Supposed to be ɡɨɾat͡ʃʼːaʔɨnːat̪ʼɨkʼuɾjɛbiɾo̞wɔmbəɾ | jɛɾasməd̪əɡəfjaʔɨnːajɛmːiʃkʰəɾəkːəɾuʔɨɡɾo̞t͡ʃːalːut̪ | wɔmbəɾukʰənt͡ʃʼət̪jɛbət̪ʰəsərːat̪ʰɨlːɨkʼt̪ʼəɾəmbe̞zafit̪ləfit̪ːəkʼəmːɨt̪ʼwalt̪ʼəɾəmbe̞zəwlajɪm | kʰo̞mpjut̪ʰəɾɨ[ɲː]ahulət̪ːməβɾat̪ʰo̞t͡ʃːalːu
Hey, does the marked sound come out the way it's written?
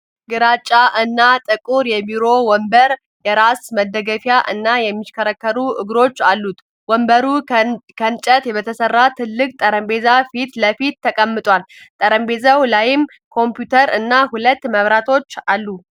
no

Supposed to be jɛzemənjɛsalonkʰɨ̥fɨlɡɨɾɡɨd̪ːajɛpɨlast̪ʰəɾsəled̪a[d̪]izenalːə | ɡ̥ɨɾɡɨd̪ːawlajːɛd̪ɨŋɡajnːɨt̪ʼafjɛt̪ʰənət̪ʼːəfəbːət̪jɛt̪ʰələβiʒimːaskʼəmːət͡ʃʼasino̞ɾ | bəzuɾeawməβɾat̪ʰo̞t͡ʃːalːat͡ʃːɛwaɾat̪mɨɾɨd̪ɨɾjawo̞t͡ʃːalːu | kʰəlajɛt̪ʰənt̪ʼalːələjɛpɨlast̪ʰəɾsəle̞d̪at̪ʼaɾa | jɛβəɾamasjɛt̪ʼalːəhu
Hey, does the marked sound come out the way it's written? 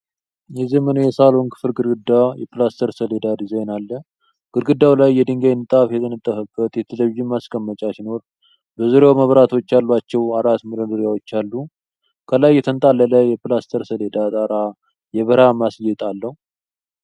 yes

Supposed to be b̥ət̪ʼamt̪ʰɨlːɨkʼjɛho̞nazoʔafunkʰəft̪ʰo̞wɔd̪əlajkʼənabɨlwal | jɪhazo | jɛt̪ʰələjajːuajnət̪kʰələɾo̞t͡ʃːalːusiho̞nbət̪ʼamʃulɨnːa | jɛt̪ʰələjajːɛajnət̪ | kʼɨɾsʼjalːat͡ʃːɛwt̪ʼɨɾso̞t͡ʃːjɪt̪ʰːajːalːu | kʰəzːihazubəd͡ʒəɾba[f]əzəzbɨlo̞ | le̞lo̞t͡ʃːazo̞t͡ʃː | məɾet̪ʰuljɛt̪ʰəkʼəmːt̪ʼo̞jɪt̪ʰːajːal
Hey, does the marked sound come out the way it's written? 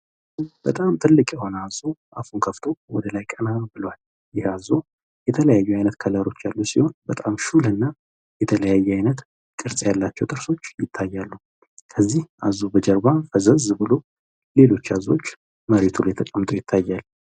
yes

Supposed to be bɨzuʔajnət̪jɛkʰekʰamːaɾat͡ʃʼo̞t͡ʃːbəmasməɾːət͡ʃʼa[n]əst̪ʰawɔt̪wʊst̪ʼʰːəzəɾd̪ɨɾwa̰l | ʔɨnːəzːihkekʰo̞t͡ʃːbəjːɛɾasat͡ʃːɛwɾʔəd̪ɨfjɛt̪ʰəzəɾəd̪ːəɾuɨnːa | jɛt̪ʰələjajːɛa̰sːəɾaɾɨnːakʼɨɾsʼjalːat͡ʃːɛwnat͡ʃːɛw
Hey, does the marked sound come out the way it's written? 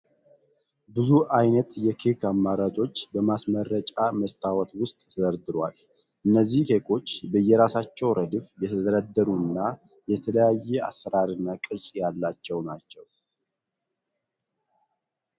no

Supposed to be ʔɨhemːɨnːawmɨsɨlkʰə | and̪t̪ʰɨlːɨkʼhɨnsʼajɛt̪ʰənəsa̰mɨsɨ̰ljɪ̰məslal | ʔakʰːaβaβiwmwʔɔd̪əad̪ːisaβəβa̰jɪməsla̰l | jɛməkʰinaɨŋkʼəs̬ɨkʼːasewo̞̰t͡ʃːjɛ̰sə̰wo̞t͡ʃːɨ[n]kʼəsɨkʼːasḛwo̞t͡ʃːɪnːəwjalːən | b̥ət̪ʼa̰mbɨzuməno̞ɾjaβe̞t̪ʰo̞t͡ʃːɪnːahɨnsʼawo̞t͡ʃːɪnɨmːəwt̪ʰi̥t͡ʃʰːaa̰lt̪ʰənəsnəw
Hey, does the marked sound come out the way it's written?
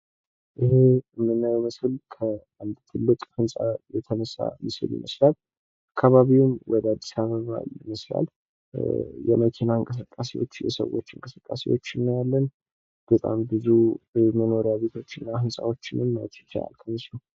no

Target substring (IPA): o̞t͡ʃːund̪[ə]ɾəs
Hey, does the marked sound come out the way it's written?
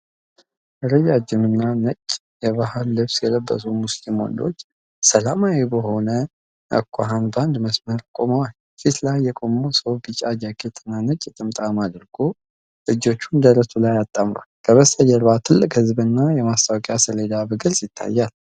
yes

